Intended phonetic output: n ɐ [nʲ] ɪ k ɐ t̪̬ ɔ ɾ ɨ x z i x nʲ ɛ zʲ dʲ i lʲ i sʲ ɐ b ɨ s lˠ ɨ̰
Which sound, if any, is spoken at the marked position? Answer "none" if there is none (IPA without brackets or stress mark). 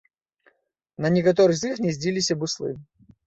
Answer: nʲ